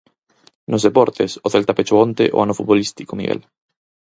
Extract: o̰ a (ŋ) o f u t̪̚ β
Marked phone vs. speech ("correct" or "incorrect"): incorrect